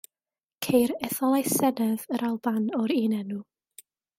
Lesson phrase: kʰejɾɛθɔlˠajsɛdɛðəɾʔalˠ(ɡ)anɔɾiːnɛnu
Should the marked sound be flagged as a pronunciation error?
yes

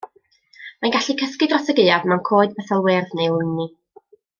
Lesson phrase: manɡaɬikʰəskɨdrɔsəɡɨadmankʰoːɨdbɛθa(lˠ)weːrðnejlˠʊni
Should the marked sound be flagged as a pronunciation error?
no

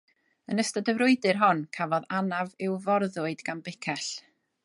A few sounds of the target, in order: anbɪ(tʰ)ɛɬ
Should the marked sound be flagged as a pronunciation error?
yes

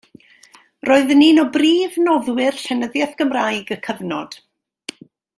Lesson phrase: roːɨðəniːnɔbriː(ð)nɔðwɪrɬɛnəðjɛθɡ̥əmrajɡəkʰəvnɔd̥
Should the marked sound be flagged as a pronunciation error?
yes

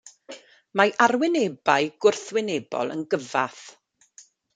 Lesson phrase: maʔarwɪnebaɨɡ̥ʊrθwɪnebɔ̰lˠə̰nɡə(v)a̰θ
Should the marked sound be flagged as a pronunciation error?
no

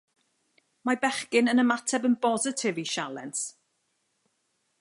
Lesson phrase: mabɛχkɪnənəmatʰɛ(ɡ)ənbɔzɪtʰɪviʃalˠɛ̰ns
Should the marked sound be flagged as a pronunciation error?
yes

